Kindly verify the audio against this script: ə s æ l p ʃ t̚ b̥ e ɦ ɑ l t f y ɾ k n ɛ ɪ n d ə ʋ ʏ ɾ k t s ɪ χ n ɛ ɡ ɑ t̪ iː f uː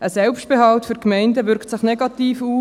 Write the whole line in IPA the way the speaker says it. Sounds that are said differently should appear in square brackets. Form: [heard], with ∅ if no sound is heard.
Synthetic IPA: ə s [ɛ] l p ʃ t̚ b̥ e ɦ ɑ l t f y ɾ k [m] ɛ ɪ n d ə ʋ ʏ ɾ k t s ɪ χ n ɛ ɡ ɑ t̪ iː f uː